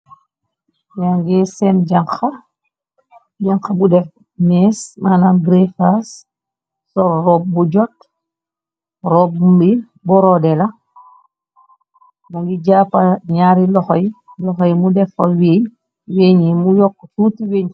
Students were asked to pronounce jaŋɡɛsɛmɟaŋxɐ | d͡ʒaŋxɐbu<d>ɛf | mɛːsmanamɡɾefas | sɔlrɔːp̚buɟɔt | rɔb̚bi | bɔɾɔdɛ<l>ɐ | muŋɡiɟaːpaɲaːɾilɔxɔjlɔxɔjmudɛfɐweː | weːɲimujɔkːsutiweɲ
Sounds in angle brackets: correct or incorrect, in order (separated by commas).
correct, correct